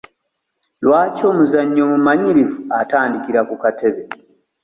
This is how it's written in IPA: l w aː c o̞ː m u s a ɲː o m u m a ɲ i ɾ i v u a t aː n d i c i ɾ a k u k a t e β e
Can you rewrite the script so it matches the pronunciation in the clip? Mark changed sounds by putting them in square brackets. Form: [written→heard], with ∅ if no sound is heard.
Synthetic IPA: l w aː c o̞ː m u [s→z] a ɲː o m u m a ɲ i ɾ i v u a t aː n d i [c→k] i ɾ a k u k a t e β e

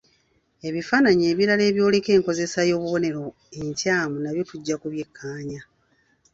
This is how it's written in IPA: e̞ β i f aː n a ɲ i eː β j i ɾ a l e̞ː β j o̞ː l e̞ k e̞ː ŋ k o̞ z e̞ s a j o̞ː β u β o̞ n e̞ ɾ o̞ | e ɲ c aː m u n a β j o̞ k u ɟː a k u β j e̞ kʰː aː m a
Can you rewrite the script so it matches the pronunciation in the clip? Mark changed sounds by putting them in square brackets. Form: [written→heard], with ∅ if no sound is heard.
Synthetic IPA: e̞ β i f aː n a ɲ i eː β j i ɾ a l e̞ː β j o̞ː l e̞ k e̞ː ŋ k o̞ z e̞ s a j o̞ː β u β o̞ n e̞ ɾ o̞ | e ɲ c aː m u n a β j o̞ [k→t] u ɟː a k u β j e̞ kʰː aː [m→ɲ] a

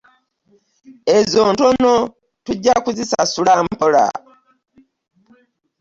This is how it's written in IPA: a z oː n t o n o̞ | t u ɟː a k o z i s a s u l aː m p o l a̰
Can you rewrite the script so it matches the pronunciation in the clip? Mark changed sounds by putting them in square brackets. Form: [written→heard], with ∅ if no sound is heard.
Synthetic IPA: [a→e] z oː n t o n o̞ | t u ɟː a k [o→u] z i s a s u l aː m p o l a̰

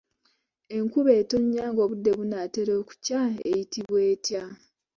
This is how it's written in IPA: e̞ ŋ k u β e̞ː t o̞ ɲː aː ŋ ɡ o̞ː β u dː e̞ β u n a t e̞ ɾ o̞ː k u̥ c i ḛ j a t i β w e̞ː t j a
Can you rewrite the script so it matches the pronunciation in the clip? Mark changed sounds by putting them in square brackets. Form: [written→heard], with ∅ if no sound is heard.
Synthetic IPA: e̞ ŋ k u β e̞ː t o̞ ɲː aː ŋ ɡ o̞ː β u dː e̞ β u n a t e̞ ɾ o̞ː k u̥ c [i→a] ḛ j [a→i] t i β w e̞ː t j a

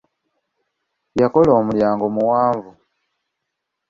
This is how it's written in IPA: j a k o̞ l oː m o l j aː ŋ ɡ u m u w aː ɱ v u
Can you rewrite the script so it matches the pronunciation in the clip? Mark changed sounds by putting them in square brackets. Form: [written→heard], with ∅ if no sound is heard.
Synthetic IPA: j a k o̞ l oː m [o→u] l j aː ŋ ɡ [u→o] m u w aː ɱ v u

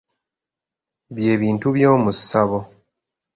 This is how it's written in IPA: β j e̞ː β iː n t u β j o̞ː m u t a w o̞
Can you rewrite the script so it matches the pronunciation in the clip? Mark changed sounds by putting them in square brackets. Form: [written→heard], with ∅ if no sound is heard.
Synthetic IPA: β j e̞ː β iː n t u β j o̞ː m u [t→s] a [w→β] o̞

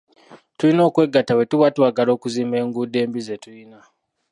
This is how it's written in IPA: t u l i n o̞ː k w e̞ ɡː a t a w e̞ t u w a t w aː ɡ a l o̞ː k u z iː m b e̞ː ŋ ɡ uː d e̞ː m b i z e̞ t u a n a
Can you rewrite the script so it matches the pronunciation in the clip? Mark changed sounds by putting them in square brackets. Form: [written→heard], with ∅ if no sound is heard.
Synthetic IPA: t u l i n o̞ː k w e̞ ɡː a t a w e̞ t u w a t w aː ɡ a l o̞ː k u z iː m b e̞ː ŋ ɡ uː d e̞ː m b i z e̞ t u [a→i] n a

